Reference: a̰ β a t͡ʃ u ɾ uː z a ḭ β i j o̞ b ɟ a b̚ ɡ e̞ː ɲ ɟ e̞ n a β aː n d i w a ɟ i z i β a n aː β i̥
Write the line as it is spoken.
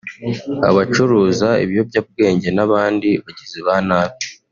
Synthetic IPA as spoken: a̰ β a t͡ʃ u ɾ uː z a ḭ β i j o̞ b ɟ a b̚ ɡ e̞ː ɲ ɟ e̞ n a β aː n d i β a ɟ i z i β a n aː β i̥